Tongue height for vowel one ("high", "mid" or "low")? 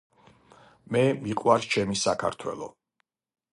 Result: mid